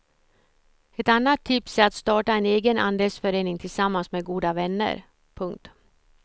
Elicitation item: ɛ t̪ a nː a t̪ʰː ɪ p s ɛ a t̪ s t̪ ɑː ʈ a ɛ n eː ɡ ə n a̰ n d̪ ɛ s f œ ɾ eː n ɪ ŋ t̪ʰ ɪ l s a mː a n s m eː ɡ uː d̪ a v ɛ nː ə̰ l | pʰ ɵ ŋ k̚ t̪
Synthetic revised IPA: ɛ t̪ a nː a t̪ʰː ɪ p s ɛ a t̪ s t̪ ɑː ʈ a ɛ n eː ɡ ə n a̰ n d̪ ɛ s f œ ɾ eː n ɪ ŋ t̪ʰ ɪ l s a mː a n s m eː ɡ uː d̪ a v ɛ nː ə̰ ɾ | pʰ ɵ ŋ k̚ t̪